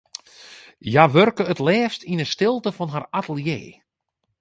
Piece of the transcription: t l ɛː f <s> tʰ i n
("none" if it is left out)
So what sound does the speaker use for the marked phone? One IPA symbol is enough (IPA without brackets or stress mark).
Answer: s